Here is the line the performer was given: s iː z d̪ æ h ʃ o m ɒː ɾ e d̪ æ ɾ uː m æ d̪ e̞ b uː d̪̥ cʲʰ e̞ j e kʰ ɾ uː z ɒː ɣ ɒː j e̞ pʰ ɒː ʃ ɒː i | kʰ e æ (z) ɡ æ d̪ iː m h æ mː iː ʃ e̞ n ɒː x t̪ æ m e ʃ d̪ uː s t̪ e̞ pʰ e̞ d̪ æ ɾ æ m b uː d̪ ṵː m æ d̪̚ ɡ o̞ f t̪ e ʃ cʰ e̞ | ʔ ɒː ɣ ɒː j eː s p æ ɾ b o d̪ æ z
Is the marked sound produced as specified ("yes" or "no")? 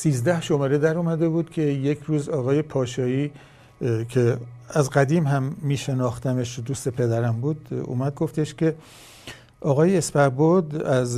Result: yes